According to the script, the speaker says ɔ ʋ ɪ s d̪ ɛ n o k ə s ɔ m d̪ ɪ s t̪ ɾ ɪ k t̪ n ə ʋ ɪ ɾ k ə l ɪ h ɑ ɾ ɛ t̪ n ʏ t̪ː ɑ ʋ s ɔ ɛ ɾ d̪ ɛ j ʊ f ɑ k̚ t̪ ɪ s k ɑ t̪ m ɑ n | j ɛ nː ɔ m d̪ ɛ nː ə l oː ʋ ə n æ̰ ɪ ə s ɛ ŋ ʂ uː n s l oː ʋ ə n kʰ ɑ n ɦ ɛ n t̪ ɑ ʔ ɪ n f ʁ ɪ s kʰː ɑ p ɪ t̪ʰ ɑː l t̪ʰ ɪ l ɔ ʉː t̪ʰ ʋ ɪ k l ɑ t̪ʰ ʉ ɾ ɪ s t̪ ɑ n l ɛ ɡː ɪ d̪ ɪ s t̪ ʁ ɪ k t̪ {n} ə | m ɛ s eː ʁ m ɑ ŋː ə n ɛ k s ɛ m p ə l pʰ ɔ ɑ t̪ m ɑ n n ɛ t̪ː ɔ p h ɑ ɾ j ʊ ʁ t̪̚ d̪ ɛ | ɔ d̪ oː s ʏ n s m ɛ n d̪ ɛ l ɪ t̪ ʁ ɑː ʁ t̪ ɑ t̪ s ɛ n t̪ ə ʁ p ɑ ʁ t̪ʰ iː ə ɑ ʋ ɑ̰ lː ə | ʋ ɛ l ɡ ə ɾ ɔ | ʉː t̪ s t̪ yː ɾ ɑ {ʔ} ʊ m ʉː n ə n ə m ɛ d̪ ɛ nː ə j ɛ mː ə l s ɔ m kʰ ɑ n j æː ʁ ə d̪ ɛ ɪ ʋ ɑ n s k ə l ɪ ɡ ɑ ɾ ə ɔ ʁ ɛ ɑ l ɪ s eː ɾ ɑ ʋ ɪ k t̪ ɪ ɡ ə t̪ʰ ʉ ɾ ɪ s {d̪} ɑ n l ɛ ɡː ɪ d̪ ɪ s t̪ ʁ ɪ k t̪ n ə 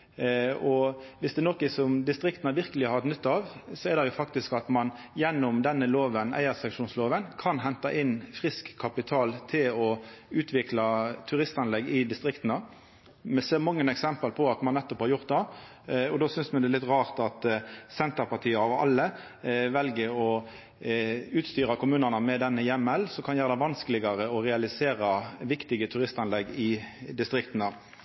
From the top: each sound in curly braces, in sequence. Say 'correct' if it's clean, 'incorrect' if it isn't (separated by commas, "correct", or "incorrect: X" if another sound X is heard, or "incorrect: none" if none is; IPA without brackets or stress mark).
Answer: correct, incorrect: k, incorrect: t̪